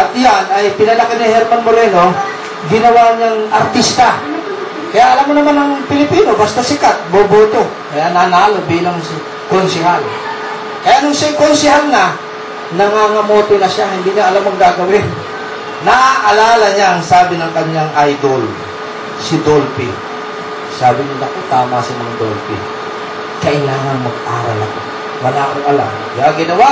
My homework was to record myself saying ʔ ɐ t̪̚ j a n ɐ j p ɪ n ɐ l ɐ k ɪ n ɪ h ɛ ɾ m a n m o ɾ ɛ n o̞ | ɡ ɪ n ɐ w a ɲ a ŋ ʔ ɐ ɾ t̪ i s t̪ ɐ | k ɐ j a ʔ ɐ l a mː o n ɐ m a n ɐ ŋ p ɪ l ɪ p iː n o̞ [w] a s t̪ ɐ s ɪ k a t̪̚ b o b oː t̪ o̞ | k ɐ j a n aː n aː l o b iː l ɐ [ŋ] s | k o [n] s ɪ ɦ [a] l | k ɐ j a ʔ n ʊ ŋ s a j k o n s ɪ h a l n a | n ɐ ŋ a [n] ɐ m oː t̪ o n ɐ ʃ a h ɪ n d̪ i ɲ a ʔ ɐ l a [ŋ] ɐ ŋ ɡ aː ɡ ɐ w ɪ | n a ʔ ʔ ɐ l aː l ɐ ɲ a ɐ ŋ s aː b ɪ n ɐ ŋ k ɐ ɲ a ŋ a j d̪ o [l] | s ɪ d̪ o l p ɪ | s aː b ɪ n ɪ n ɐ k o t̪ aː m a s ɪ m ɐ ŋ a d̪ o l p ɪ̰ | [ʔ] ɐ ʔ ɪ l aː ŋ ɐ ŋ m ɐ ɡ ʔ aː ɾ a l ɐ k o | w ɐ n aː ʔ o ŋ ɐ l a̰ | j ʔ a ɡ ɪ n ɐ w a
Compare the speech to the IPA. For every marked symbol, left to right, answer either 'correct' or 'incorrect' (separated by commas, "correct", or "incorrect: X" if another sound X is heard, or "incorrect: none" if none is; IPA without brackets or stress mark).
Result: incorrect: b, correct, correct, correct, incorrect: ŋ, incorrect: m, correct, incorrect: k